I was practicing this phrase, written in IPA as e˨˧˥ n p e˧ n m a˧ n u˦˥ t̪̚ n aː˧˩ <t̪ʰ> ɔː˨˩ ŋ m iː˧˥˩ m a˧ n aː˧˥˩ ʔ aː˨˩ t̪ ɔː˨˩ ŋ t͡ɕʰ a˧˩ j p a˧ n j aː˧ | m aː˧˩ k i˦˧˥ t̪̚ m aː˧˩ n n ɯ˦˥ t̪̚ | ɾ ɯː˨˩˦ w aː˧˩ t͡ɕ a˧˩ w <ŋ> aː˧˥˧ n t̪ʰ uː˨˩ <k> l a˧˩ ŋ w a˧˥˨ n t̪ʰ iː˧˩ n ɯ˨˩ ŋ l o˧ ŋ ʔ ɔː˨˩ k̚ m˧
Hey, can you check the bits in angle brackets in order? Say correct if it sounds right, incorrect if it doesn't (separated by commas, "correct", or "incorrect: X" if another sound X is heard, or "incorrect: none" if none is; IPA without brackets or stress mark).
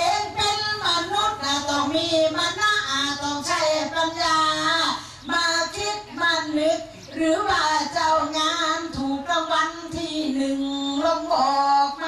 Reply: incorrect: t̪, correct, correct